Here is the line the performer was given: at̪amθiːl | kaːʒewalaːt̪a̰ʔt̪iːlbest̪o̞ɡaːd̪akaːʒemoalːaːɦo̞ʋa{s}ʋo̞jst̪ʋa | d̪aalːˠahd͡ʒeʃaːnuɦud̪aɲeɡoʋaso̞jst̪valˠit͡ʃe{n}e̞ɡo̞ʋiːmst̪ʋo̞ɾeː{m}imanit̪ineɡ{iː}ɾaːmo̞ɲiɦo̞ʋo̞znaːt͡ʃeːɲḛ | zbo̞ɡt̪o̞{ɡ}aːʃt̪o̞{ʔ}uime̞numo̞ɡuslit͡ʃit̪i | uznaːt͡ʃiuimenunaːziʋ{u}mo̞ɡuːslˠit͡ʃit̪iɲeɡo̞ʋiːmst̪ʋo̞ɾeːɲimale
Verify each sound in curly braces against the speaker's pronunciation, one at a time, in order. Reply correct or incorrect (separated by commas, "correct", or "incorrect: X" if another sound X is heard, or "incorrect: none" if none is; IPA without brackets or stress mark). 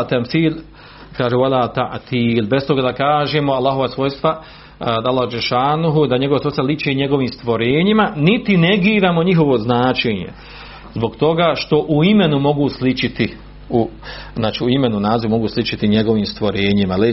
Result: correct, incorrect: ɲ, incorrect: ɲ, correct, correct, correct, correct